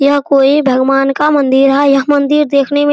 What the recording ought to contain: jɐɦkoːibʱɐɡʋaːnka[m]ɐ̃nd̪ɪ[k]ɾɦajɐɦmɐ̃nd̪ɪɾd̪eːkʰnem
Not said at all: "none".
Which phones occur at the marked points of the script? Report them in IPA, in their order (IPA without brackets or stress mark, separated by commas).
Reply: m, none